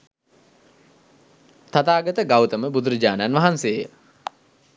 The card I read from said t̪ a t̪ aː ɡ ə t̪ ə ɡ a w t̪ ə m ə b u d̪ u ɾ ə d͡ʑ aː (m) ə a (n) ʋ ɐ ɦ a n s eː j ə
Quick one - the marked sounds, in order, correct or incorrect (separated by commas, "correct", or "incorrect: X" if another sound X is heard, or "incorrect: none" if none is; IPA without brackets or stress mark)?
incorrect: n, correct